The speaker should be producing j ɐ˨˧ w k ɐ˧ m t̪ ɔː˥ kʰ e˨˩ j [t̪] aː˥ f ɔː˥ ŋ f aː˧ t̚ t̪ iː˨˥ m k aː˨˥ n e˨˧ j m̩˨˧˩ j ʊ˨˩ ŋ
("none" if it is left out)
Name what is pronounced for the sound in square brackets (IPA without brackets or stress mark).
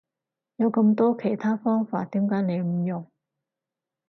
t̪ʰ